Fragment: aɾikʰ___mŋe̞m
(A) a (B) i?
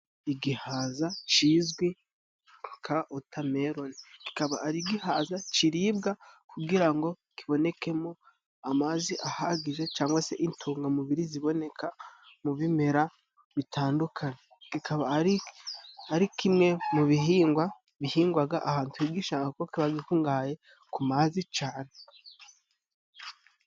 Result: B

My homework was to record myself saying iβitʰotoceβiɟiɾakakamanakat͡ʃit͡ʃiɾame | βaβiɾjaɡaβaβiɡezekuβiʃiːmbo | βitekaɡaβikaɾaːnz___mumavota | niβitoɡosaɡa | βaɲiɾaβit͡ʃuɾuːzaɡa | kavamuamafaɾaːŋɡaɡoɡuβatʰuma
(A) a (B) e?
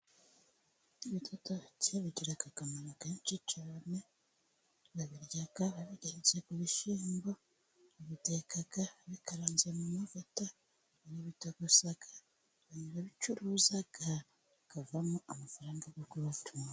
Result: B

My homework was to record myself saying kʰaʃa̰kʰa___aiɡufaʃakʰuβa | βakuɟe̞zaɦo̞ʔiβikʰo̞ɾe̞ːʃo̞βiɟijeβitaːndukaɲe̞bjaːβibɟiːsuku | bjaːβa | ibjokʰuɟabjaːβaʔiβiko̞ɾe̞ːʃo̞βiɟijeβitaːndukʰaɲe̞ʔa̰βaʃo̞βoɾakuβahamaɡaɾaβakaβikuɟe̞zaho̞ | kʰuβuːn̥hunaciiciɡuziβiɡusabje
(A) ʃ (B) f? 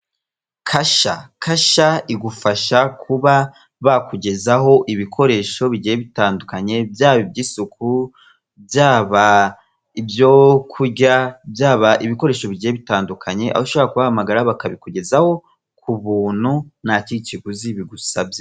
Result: A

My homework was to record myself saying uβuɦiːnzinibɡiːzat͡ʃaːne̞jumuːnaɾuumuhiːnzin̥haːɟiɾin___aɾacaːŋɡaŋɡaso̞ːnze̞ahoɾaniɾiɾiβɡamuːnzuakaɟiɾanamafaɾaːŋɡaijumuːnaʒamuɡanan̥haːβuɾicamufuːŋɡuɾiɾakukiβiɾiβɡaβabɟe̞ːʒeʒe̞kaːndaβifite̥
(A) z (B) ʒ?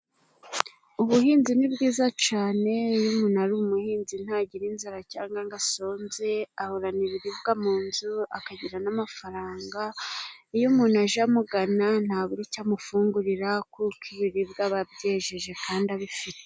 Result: A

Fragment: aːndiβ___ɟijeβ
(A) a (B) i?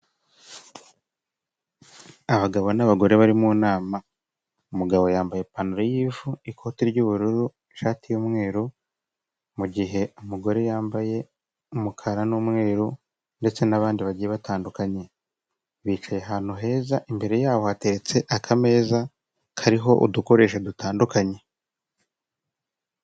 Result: A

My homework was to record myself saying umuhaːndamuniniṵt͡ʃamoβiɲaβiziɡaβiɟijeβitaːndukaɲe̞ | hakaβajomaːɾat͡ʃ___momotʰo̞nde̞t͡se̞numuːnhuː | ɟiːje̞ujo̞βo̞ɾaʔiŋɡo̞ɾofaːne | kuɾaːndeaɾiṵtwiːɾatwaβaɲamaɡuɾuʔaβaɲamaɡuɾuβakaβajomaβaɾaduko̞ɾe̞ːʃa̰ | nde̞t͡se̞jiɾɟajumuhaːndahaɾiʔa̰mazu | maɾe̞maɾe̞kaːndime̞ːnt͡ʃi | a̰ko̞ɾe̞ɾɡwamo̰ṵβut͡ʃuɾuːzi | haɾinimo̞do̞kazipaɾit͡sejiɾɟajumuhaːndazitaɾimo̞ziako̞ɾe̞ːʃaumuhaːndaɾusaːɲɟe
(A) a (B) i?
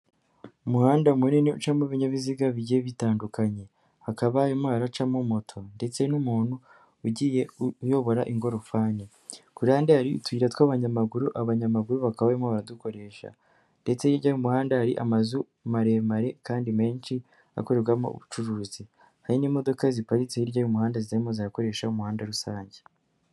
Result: A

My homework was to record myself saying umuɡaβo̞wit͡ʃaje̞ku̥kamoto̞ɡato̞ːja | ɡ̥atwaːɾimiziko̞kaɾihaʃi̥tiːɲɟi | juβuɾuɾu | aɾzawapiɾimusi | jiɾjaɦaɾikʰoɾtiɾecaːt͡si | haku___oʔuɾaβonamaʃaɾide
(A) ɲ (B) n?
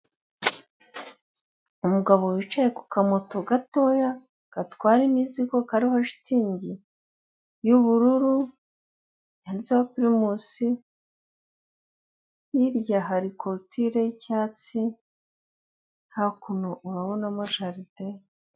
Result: B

